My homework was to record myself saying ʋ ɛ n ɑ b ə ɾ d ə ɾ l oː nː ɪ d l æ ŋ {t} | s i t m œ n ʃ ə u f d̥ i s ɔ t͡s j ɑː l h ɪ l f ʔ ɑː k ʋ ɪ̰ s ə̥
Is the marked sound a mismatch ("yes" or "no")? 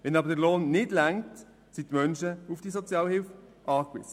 no